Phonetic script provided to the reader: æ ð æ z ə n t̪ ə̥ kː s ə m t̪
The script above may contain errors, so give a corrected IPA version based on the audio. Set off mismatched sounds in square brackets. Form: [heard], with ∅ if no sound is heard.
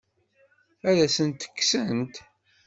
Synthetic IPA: æ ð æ [s] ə n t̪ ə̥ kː s ə [n] t̪